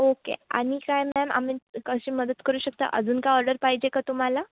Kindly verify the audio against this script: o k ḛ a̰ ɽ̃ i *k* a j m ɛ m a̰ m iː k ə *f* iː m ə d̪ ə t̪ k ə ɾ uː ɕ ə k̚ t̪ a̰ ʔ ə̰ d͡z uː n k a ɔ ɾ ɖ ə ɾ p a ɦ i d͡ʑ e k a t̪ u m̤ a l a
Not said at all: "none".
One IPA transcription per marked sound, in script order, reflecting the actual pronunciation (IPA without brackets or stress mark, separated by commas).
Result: k, ɕ